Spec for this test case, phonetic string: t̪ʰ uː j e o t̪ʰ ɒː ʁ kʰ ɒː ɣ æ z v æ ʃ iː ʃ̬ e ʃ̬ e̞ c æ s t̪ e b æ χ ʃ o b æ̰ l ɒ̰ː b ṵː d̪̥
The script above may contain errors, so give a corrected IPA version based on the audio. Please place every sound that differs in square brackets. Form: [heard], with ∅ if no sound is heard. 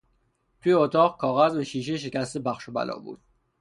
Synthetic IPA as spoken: t̪ʰ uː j e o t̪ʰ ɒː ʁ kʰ ɒː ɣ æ z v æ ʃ iː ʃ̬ e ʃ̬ e̞ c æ s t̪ e b æ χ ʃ o b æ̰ l ɒ̰ː b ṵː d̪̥